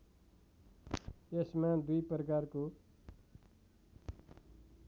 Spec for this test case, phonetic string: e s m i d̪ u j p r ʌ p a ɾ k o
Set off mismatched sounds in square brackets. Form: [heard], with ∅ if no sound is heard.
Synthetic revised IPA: e s m [a] d̪ u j p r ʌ [k] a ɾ k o